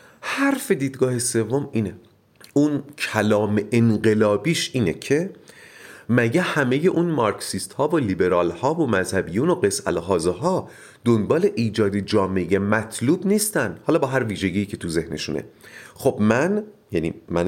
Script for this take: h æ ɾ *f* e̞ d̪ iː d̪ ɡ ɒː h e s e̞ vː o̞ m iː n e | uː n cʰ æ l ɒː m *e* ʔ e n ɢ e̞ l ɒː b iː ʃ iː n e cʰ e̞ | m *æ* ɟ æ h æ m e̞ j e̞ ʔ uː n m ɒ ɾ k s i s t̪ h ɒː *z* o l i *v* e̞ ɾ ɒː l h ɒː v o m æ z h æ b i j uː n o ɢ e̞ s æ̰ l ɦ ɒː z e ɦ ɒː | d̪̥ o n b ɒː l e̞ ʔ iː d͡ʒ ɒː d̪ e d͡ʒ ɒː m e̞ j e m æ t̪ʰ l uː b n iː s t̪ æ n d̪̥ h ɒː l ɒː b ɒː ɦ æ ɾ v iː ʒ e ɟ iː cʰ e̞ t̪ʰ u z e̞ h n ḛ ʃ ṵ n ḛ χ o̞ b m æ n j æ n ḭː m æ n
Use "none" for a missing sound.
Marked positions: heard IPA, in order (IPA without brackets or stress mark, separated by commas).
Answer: f, e, æ, v, b